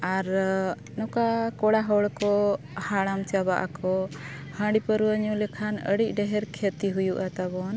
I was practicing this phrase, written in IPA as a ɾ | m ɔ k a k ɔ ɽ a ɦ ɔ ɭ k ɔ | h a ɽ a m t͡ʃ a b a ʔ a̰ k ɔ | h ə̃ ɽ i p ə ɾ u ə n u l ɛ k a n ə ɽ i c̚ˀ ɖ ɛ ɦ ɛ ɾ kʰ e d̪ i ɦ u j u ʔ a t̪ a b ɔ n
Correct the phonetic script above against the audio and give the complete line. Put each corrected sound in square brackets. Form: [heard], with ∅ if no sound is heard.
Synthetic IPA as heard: a ɾ | [n] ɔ k a k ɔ ɽ a ɦ ɔ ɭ k ɔ | h a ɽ a m t͡ʃ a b a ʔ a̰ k ɔ | h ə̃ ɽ i p ə ɾ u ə [ɲ] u l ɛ [kʰ] a n ə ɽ i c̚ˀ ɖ ɛ ɦ ɛ ɾ kʰ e [t̪] i ɦ u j u ʔ a t̪ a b ɔ n

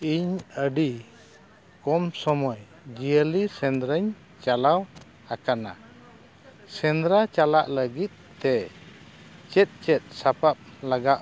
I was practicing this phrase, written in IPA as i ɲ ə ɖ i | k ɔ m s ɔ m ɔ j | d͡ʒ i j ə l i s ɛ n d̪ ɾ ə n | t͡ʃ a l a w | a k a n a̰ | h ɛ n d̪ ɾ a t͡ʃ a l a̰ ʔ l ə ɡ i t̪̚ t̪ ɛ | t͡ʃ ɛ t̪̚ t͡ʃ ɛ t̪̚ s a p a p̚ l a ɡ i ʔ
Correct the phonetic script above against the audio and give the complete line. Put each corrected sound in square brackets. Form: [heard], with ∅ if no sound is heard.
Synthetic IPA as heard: i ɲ ə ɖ i | k ɔ m s ɔ m ɔ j | d͡ʒ i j ə l i s ɛ n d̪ ɾ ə [ɲ] | t͡ʃ a l a w | a k a n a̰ | [s] ɛ n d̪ ɾ a t͡ʃ a l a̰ ʔ l ə ɡ i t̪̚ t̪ ɛ | t͡ʃ ɛ t̪̚ t͡ʃ ɛ t̪̚ s a p a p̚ l a ɡ [a] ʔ

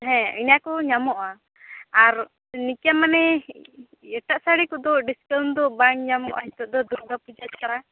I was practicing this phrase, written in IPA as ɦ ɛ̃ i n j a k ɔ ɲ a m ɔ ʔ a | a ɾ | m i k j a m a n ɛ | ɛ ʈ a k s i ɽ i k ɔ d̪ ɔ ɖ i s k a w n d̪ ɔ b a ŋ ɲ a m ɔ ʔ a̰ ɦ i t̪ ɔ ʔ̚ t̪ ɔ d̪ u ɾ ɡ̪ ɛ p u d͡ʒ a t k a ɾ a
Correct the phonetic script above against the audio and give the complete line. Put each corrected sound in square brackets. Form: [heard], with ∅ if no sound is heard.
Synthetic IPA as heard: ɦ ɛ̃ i n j a k ɔ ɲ a m ɔ ʔ a | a ɾ | [n] i k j a m a n ɛ | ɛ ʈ a [ʔ] s [a] ɽ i k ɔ d̪ ɔ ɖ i s k a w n d̪ ɔ b a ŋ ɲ a m ɔ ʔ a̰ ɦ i t̪ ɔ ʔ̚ [d̪] ɔ d̪ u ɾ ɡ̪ [a] p u d͡ʒ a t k a ɾ a

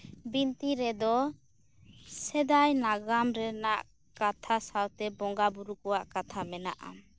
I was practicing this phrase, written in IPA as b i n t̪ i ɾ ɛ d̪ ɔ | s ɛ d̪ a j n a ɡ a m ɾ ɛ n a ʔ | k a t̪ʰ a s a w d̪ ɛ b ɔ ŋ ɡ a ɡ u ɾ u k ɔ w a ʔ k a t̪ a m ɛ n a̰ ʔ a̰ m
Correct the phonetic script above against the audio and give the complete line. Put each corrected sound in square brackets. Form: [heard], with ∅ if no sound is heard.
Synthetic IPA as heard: b i n t̪ i ɾ ɛ d̪ ɔ | s ɛ d̪ a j n a ɡ a m ɾ ɛ n a ʔ | k a t̪ʰ a s a w [t̪] ɛ b ɔ ŋ ɡ a [b] u ɾ u k ɔ w a ʔ k a [t̪ʰ] a m ɛ n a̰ ʔ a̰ m

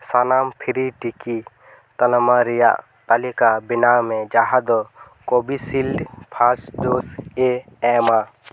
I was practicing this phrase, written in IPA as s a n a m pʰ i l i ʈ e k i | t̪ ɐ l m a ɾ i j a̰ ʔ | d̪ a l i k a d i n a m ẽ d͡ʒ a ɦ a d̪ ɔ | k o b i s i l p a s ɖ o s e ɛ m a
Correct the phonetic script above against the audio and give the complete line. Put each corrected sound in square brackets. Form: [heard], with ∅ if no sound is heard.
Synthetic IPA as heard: s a n a m pʰ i [ɾ] i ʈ [i] k i | t̪ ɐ l m a ɾ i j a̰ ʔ | [t̪] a l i k a [b] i n a m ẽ d͡ʒ a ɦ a d̪ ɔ | k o b i s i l [pʰ] a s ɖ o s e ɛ m a

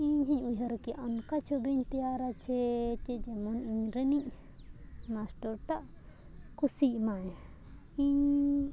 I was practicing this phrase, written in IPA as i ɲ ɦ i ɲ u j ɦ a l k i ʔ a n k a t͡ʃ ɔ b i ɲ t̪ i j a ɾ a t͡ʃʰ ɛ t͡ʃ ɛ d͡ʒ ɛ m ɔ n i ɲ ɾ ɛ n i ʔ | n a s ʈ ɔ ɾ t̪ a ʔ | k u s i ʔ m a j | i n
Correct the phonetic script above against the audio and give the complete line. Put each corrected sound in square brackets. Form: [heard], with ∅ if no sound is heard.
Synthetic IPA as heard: i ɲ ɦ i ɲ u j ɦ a [ɾ] k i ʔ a n k a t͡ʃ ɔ b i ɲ t̪ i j a ɾ a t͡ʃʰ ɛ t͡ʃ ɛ d͡ʒ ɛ m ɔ n i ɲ ɾ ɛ n i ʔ | [m] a s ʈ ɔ ɾ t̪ a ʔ | k u s i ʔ m a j | i [ɲ]

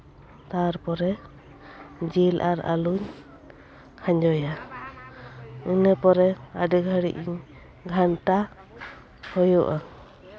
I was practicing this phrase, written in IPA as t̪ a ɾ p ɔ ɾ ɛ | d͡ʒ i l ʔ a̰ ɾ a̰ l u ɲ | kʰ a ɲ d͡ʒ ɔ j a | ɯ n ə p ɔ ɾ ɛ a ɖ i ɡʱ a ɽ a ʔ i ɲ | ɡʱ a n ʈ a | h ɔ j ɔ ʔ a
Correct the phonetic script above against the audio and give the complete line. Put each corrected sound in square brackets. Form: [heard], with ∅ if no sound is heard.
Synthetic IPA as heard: t̪ a ɾ p ɔ ɾ ɛ | d͡ʒ i l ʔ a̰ ɾ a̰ l u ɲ | kʰ a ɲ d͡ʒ ɔ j a | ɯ n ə p ɔ ɾ ɛ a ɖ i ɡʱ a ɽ [i] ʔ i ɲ | ɡʱ a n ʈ a | h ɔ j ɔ ʔ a

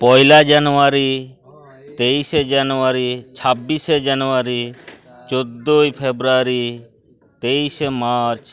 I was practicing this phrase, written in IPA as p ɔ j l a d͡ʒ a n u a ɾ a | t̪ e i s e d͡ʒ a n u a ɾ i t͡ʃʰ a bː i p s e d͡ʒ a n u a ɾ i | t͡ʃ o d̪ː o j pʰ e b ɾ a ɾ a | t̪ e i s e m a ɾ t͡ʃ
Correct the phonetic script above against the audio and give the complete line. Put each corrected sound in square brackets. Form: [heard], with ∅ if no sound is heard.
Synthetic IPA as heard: p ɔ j l a d͡ʒ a n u a ɾ [i] | t̪ e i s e d͡ʒ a n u a ɾ i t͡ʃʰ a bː i [∅] s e d͡ʒ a n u a ɾ i | t͡ʃ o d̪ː o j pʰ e b ɾ a ɾ [i] | t̪ e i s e m a ɾ t͡ʃ

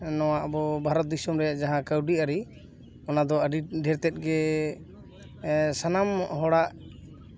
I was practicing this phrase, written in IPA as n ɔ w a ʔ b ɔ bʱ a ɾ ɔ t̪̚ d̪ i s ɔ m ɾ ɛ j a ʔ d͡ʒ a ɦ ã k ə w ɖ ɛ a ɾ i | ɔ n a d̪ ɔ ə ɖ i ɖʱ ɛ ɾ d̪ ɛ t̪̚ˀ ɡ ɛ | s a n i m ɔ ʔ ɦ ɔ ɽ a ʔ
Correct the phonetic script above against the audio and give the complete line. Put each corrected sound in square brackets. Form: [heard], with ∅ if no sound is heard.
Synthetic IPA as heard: n ɔ w a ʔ b ɔ bʱ a ɾ ɔ t̪̚ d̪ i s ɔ m ɾ ɛ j a ʔ d͡ʒ a ɦ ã k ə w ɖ [i] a ɾ i | ɔ n a d̪ ɔ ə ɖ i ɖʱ ɛ ɾ [t̪] ɛ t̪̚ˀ ɡ ɛ | s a n [a] m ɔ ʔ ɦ ɔ ɽ a ʔ

